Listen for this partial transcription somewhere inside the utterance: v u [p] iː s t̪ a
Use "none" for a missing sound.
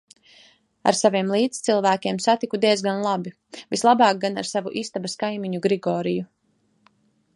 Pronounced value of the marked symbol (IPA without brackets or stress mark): ʔ